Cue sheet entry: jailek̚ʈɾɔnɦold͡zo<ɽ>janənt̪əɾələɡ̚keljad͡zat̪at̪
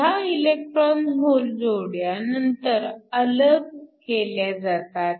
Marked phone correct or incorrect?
correct